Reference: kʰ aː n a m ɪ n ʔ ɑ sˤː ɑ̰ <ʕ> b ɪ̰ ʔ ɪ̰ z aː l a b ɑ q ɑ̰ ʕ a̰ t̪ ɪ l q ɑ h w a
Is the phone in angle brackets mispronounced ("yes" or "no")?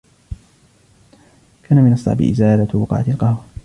no